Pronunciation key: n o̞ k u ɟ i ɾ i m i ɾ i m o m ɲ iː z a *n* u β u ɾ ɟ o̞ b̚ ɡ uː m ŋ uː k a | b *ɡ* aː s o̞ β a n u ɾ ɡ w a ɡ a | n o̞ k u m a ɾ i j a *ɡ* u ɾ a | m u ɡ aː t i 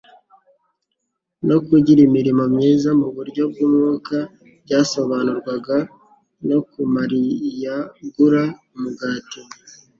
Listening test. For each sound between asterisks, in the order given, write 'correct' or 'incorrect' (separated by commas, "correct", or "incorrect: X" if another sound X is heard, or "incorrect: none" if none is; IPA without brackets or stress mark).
incorrect: m, incorrect: ɟ, correct